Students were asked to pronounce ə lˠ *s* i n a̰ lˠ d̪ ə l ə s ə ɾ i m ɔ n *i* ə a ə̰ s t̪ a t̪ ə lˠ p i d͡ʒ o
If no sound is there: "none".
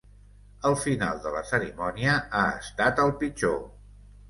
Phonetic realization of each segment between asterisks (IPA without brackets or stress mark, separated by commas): f, i